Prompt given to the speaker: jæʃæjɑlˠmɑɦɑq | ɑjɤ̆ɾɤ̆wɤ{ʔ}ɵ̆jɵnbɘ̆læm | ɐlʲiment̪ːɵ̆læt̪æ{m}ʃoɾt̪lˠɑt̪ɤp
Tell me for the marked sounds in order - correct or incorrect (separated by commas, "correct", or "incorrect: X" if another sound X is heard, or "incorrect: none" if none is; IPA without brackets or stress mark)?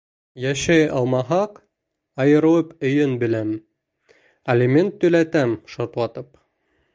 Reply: incorrect: p, correct